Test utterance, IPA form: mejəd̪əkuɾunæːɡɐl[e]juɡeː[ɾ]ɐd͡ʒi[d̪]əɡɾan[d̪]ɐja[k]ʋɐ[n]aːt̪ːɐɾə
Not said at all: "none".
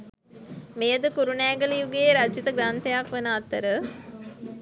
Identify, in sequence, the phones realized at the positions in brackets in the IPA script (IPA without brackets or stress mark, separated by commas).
i, ɾ, t̪, t̪, k, n